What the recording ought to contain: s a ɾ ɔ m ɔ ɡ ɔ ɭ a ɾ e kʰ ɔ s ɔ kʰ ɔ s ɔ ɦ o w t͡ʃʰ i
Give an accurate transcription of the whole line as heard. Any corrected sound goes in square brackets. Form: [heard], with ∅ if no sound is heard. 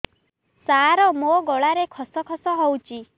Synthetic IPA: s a ɾ ɔ m [o] ɡ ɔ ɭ a ɾ e kʰ ɔ s ɔ kʰ ɔ s ɔ ɦ o w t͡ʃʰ i